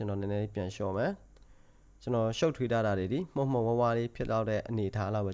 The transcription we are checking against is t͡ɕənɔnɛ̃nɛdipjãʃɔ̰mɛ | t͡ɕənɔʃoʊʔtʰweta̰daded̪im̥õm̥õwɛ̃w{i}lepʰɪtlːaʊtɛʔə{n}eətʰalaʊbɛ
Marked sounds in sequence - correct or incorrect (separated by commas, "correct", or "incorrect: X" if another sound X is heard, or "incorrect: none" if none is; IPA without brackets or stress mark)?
incorrect: a, correct